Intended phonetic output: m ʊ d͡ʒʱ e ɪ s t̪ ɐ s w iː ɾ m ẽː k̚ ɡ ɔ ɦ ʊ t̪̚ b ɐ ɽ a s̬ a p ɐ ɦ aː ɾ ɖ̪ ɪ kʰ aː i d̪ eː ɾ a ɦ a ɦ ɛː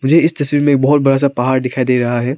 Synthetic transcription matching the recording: m ʊ d͡ʒʱ e ɪ s t̪ ɐ s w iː ɾ m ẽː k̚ b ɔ ɦ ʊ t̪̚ b ɐ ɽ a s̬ a p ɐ ɦ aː ɾ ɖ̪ ɪ kʰ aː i d̪ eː ɾ ɐ ɦ a ɦ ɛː